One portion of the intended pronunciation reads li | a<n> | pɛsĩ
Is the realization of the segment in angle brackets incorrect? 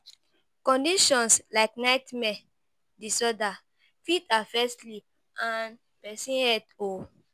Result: no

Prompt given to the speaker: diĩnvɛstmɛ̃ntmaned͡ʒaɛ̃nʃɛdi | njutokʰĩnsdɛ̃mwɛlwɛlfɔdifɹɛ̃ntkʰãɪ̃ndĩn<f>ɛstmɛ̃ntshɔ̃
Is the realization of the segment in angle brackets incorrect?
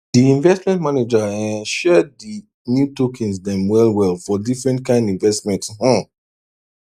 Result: yes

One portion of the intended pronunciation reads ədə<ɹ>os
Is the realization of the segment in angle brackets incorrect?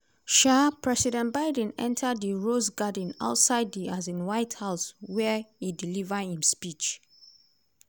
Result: no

